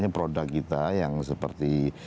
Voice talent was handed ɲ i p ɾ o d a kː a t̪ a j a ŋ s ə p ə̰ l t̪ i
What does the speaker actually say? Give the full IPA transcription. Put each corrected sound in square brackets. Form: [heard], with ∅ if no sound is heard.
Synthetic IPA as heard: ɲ [a] p ɾ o d a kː [i] t̪ a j a ŋ s ə p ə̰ [r] t̪ i

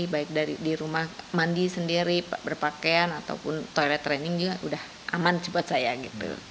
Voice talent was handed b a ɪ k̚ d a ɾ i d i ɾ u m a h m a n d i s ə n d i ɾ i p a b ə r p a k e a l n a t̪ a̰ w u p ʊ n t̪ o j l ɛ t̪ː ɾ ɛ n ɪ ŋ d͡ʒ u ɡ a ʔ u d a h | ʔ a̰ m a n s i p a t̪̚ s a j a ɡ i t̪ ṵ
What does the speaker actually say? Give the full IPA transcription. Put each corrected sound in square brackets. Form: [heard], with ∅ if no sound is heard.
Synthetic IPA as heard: b a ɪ k̚ d a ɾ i d i ɾ u m a h m a n d i s ə n d i ɾ i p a b ə r p a k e a [∅] n a t̪ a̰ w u p ʊ n t̪ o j l ɛ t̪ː ɾ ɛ n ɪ ŋ d͡ʒ u ɡ a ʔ u d a h | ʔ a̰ m a n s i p a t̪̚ s a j a ɡ i t̪ ṵ

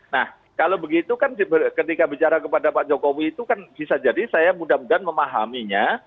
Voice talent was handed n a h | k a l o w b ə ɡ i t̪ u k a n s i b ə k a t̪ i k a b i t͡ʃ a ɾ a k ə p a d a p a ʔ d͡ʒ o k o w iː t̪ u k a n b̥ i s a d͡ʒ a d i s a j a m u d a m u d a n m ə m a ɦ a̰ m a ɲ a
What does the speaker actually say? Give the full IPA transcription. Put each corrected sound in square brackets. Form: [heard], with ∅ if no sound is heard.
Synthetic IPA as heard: n a h | k a l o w b ə ɡ i t̪ u k a n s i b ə k [ə] t̪ i k a b i t͡ʃ a ɾ a k ə p a d a p a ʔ d͡ʒ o k o w iː t̪ u k a n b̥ i s a d͡ʒ a d i s a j a m u d a m u d a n m ə m a ɦ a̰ m [i] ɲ a

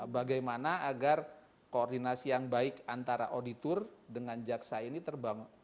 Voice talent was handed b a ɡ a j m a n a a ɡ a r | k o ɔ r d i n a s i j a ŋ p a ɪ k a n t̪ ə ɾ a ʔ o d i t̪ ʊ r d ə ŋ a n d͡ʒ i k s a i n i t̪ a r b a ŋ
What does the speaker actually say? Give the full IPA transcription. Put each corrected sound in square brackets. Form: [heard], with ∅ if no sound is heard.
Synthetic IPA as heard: b a ɡ a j m a n a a ɡ a r | k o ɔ r d i n a s i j a ŋ [b] a ɪ k a n t̪ [a] ɾ a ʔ o d i t̪ ʊ r d ə ŋ a n d͡ʒ [a] k s a i n i t̪ [ə] r b a ŋ

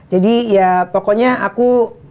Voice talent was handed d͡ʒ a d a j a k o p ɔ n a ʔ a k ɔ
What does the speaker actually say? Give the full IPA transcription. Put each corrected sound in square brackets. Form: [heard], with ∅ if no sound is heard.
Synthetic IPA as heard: d͡ʒ a d [i] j a [p] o [k] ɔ [ɲ] a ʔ a k [u]

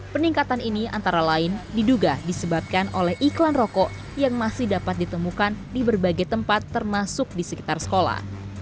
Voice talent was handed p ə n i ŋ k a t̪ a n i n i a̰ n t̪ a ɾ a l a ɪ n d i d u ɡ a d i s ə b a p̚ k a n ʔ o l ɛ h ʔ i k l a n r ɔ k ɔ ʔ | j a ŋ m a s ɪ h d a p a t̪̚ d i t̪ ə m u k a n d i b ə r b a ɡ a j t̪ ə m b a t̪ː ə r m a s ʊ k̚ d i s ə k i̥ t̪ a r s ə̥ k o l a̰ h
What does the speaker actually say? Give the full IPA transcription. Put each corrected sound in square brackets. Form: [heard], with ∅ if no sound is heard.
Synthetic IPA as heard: p ə n i ŋ k a t̪ a n i n i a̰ n t̪ a ɾ a l a ɪ n d i d u ɡ a d i s ə b a p̚ k a n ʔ o l ɛ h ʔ i k l a n r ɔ k ɔ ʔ | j a ŋ m a s ɪ h d a p a t̪̚ d i t̪ ə m u k a n d i b ə r b a ɡ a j t̪ ə m [p] a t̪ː ə r m a s ʊ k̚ d i s ə k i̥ t̪ a r s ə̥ k o l a̰ h

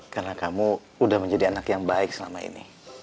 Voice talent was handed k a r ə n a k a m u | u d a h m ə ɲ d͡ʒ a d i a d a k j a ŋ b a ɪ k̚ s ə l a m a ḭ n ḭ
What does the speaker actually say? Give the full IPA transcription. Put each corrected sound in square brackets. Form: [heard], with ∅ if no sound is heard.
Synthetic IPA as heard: k a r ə n a k a m u | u d a h m ə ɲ d͡ʒ a d i a [n] a k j a ŋ b a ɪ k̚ s ə l a m a ḭ n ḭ

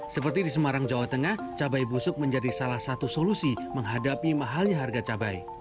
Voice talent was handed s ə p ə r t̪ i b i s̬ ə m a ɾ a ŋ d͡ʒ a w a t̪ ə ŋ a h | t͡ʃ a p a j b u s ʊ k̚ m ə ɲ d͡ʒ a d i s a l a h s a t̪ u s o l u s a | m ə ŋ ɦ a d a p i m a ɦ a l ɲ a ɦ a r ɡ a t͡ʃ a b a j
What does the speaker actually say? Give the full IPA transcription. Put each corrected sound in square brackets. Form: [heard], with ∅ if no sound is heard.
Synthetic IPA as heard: s ə p ə r t̪ i [d] i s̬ ə m a ɾ a ŋ d͡ʒ a w a t̪ ə ŋ a h | t͡ʃ a [b] a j b u s ʊ k̚ m ə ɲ d͡ʒ a d i s a l a h s a t̪ u s o l u s [i] | m ə ŋ ɦ a d a p i m a ɦ a l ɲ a ɦ a r ɡ a t͡ʃ a b a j

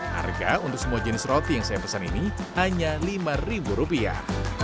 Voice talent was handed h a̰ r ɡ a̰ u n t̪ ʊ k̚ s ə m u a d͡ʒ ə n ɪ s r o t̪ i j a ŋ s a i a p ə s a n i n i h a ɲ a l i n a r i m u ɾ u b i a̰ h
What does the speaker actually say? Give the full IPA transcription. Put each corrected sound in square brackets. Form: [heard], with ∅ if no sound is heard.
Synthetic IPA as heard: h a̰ r ɡ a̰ u n t̪ ʊ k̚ s ə m u a d͡ʒ ə n ɪ s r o t̪ i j a ŋ s a [j] a p ə s a n i n i h a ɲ a l i [m] a r i [b] u ɾ u [p] i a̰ h

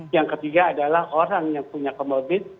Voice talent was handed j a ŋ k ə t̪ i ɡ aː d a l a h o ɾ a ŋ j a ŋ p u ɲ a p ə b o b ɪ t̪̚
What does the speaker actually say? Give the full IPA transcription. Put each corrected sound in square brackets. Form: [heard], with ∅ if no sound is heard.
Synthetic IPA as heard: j a ŋ k ə t̪ i ɡ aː d a l a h o ɾ a ŋ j a ŋ p u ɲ a [k] ə [m] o b ɪ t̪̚

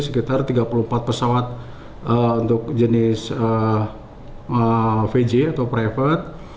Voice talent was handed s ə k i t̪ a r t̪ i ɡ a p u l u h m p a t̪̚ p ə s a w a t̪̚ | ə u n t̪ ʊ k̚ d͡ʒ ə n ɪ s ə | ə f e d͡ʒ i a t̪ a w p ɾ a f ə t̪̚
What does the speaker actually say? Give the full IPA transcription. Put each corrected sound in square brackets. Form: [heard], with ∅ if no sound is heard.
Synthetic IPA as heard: s ə k i t̪ a r t̪ i ɡ a p u l u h m p a t̪̚ p ə s a w a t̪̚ | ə u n t̪ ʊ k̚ d͡ʒ ə n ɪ s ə | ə f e d͡ʒ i a t̪ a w p ɾ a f ə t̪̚

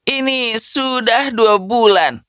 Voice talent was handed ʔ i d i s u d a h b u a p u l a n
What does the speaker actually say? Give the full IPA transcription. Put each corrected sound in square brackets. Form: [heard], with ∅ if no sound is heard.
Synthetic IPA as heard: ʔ i [n] i s u d a h [d] u a [b] u l a n

